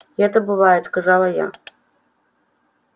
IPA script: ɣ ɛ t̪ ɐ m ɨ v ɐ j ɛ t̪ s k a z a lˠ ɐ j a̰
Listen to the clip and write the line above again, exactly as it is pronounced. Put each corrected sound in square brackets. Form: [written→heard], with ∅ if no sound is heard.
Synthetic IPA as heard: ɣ ɛ t̪ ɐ [m→b] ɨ v [ɐ→a] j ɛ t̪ s k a z a lˠ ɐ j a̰

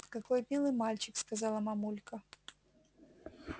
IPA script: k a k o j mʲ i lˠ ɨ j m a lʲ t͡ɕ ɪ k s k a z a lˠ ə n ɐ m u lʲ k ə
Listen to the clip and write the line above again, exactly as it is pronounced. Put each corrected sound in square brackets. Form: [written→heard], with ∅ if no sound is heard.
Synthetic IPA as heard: k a k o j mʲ i lˠ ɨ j m a lʲ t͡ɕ ɪ k s k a z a lˠ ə [n→m] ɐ m u lʲ k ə

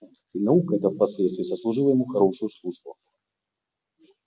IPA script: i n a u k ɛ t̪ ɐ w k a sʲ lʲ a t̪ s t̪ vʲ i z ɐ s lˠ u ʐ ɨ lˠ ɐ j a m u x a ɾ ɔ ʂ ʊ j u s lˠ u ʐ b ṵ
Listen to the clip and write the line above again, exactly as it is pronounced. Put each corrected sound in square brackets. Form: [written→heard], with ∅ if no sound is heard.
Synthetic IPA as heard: i n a u k ɛ t̪ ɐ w [k→p] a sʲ lʲ [a→ɛ] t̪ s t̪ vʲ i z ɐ s lˠ u ʐ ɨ lˠ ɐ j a m u x a ɾ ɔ ʂ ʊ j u s lˠ u ʐ b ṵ

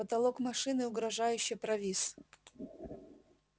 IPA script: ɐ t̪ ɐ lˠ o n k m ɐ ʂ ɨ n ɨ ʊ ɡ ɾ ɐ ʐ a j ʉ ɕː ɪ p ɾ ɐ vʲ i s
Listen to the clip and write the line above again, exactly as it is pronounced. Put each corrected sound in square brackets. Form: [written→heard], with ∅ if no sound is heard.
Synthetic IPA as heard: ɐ t̪ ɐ lˠ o [n→∅] k m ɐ ʂ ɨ n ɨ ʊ ɡ ɾ ɐ ʐ a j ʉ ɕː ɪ p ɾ ɐ vʲ i s

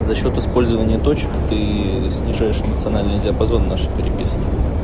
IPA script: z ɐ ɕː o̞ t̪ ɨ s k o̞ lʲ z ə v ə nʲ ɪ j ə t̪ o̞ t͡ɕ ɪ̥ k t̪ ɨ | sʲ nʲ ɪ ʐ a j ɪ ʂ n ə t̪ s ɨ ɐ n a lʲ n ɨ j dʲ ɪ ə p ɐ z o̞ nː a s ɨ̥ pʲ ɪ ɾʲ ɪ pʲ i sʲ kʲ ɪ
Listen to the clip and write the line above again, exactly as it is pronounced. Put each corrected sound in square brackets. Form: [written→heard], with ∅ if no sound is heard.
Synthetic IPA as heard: z ɐ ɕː o̞ t̪ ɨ s [k→p] o̞ lʲ z ə v ə nʲ ɪ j ə t̪ o̞ t͡ɕ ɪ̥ k t̪ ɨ | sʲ nʲ ɪ ʐ a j ɪ ʂ n ə t̪ s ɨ ɐ n a lʲ n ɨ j dʲ ɪ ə p ɐ z o̞ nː a [s→ʂ] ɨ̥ pʲ ɪ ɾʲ ɪ pʲ i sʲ kʲ ɪ

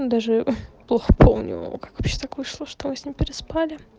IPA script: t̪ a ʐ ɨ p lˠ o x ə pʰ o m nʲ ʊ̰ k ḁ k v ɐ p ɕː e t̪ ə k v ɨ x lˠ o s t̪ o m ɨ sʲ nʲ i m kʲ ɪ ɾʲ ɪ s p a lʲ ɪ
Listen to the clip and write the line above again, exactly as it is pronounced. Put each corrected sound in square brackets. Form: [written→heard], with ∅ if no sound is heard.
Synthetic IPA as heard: [t̪→d̪] a ʐ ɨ p lˠ o x ə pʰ o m nʲ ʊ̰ k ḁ k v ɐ p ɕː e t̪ [ə→a] k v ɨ [x→ʂ] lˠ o [s→ʂ] t̪ o m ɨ sʲ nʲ i m [kʲ→pʲ] ɪ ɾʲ ɪ s p a lʲ ɪ

